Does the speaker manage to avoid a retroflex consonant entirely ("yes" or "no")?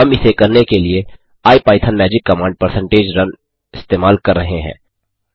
no